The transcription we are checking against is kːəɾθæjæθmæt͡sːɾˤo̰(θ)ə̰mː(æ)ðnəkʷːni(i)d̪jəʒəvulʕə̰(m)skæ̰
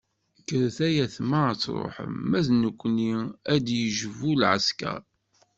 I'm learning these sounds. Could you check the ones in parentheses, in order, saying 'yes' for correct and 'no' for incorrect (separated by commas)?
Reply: no, yes, no, no